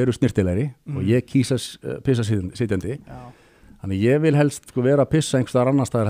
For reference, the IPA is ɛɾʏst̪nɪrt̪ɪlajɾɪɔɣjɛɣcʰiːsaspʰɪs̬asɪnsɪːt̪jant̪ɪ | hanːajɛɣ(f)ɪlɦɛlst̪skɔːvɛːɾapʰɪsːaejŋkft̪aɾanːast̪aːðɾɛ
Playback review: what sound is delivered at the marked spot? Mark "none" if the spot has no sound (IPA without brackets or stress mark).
v